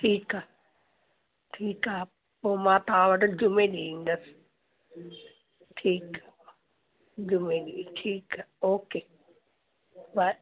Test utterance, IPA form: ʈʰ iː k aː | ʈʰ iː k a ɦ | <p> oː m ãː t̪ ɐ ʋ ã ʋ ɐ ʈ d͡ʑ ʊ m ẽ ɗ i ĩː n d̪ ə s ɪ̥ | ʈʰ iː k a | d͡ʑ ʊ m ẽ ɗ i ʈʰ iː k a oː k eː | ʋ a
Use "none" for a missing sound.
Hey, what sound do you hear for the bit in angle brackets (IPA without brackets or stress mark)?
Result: p